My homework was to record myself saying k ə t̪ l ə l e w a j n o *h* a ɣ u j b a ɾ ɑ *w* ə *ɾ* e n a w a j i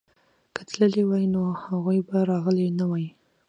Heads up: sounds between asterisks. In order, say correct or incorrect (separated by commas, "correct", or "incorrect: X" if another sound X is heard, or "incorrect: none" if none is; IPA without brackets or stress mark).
correct, incorrect: ɣ, incorrect: l